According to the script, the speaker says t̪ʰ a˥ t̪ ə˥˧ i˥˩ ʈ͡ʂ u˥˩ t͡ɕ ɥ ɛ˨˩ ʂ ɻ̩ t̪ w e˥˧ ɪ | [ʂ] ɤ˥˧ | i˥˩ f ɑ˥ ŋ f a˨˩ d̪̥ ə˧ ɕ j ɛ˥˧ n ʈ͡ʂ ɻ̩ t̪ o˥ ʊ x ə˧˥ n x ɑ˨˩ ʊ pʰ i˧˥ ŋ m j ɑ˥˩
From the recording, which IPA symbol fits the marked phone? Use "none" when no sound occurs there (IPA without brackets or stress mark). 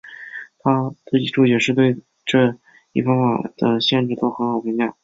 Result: ʈ͡ʂ